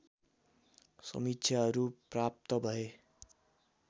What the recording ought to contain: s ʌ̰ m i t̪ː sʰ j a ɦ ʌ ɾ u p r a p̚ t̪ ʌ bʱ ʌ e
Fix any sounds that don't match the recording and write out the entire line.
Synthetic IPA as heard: s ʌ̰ m i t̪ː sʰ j a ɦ ʌ ɾ u p r a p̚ t̪ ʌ bʱ ʌ e